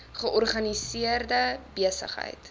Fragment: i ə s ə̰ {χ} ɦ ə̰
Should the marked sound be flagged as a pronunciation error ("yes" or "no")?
no